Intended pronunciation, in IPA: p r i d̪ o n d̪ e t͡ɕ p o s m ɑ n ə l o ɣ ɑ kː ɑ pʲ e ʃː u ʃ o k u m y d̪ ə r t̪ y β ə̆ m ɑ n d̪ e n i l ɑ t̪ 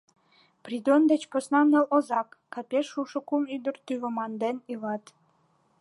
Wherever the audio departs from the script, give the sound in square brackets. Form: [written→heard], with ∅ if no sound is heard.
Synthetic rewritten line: p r i d̪ o n d̪ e t͡ɕ p o s [m→n] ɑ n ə l o [ɣ→z] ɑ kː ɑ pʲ e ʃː u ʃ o k u m y d̪ ə r t̪ y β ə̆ m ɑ n d̪ e n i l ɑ t̪